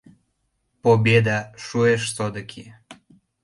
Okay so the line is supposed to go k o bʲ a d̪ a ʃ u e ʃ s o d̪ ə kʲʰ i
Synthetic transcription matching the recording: p o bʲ e d̪ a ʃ u e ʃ s o d̪ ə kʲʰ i